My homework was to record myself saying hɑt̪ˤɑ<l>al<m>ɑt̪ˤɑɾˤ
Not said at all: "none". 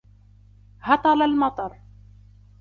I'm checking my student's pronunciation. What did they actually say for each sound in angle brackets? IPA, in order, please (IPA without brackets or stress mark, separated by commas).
l, m